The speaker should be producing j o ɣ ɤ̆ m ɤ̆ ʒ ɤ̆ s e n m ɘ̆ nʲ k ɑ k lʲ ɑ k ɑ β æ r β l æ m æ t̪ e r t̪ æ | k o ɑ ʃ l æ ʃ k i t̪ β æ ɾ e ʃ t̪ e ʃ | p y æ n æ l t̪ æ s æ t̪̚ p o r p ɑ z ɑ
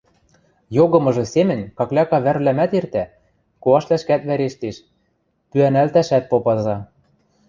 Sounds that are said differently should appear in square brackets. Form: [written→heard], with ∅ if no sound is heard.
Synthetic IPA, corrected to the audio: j o ɣ ɤ̆ m ɤ̆ ʒ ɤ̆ s e [n→∅] m ɘ̆ nʲ k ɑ k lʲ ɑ k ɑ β æ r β l æ m æ t̪ e r t̪ æ | k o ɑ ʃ l æ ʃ k [i→æ] t̪ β æ ɾ e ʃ t̪ e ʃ | p y æ n æ l t̪ æ [s→ʃ] æ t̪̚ p o [r→∅] p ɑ z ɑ

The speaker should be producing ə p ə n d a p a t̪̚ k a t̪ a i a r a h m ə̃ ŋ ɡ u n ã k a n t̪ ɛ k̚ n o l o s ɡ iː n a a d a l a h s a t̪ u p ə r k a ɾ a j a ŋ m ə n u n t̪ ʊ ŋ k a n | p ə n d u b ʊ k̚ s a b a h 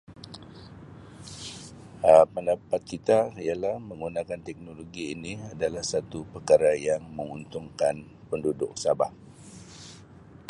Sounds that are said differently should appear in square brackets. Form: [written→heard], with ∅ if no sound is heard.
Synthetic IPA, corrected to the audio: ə p ə n d a p a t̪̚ k [a→i] t̪ a i a [r→l] a h m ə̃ ŋ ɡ u n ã k a n t̪ ɛ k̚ n o l o [s→∅] ɡ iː n [a→i] a d a l a h s a t̪ u p ə r k a ɾ a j a ŋ m ə [n→ŋ] u n t̪ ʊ ŋ k a n | p ə n d u [b→d] ʊ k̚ s a b a h

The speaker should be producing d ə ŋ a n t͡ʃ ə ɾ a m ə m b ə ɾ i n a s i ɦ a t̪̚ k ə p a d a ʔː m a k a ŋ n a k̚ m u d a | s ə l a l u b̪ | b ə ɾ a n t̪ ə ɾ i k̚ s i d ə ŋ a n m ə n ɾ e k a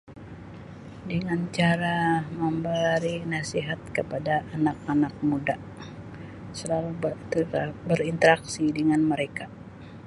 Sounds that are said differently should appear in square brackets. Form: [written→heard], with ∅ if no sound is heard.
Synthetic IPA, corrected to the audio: d ə ŋ a n t͡ʃ [ə→a] ɾ a m ə m b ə ɾ i n a s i ɦ a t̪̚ k ə p a d a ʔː [m→n] a k a [ŋ→∅] n a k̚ m u d a | s ə l a l u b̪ | b ə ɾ [a→i] n t̪ ə ɾ [i→a] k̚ s i d ə ŋ a n m ə [n→∅] ɾ e k a

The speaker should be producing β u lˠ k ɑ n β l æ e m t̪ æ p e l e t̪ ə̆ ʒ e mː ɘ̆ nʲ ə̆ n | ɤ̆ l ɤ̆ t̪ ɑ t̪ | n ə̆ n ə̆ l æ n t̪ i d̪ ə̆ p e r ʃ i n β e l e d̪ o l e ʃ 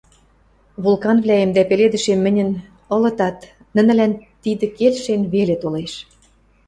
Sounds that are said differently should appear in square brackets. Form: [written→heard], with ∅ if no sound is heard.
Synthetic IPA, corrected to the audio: β u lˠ k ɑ n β l æ e m [t̪→d̪] æ p e l e [t̪→d̪] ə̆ [ʒ→ʃ] e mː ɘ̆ nʲ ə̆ n | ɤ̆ l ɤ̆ t̪ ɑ t̪ | n ə̆ n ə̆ l æ n t̪ i d̪ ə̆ [p→k] e [r→l] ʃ [i→e] n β e l e [d̪→t̪] o l e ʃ

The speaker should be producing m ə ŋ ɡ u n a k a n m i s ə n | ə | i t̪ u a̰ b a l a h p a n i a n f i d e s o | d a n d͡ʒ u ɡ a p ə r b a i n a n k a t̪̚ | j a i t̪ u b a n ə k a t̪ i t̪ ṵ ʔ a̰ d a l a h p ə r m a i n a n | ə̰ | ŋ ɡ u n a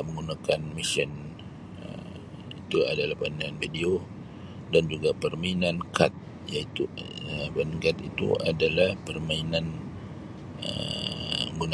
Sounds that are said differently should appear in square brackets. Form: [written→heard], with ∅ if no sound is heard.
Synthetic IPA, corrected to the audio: m ə ŋ ɡ u n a k a n m i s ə n | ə | i t̪ u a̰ [b→d] a l a h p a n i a n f i d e [s→∅] o | d a n d͡ʒ u ɡ a p ə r [b→m] a i n a n k a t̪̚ | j a i t̪ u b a n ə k a t̪ i t̪ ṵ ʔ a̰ d a l a h p ə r m a i n a n | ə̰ | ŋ ɡ u n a

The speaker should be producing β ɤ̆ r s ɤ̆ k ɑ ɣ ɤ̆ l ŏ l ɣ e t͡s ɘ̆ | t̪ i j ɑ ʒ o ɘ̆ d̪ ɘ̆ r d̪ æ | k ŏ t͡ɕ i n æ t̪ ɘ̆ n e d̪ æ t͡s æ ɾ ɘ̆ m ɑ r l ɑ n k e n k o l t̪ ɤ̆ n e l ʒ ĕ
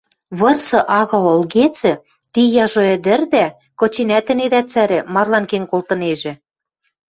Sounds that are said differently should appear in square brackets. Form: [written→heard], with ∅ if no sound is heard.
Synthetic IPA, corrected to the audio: β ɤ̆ r s ɤ̆ [k→ʔ] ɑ ɣ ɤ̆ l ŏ l ɣ e t͡s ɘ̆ | t̪ i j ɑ ʒ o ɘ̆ d̪ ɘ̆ r d̪ æ | k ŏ t͡ɕ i n æ t̪ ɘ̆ n e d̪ æ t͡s æ ɾ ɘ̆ m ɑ r l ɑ n k e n k o l t̪ ɤ̆ n e [l→∅] ʒ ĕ

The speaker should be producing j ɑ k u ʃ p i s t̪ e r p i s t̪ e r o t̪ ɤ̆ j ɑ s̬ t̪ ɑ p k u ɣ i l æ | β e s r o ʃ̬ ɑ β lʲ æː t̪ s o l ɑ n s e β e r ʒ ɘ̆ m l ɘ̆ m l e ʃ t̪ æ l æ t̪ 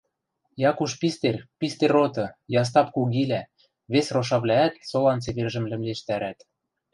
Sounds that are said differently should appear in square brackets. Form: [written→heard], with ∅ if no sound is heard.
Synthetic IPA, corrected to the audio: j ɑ k u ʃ p i s t̪ e r p i s t̪ e r o t̪ ɤ̆ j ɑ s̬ t̪ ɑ p k u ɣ i l æ | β e s r o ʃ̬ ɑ β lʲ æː t̪ s o l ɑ n [s→t͡s] e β e r ʒ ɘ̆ m l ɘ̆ m l e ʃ t̪ æ [l→ɾ] æ t̪

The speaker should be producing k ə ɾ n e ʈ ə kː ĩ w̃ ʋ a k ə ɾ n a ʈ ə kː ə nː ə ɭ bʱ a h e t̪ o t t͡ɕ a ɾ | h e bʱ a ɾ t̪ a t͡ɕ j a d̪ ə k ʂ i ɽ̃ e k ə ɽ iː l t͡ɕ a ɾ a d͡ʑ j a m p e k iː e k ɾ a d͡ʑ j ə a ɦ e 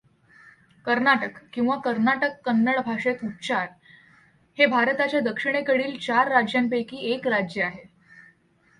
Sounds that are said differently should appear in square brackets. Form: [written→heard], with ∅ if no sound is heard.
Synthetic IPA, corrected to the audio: k ə ɾ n [e→a] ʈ ə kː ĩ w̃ ʋ a k ə ɾ n a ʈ ə kː ə nː ə ɭ bʱ a [h→ʂ] e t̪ [o→u] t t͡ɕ a ɾ | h e bʱ a ɾ t̪ a t͡ɕ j a d̪ ə k ʂ i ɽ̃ e k ə ɽ iː l t͡ɕ a [ɾ→ɾː] a d͡ʑ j a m p e k iː e k ɾ a d͡ʑ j ə a ɦ e

